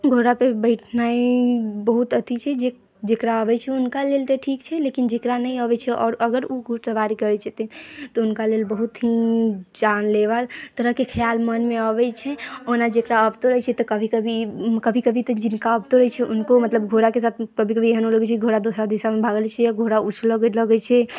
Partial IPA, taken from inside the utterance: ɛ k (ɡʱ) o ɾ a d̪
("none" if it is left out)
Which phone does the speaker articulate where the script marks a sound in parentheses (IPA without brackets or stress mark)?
ɡʱ